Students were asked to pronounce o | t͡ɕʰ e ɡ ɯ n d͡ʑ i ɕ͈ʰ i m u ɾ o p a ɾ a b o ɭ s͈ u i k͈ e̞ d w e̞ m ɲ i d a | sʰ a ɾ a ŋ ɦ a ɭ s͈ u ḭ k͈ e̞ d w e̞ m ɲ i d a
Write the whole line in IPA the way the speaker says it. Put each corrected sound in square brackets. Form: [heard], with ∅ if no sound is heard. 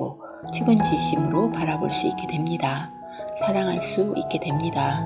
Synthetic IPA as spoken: o | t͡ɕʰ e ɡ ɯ n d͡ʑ i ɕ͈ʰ i m [ɯ] ɾ o p a ɾ a b o ɭ s͈ u i k͈ e̞ d w e̞ m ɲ i d a | sʰ a ɾ a ŋ ɦ a ɭ s͈ u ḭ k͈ e̞ d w e̞ m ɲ i d a